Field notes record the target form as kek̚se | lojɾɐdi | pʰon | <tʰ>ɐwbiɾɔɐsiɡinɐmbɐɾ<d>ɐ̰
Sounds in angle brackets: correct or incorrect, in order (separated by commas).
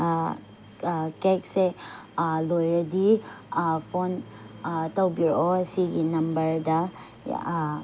incorrect, correct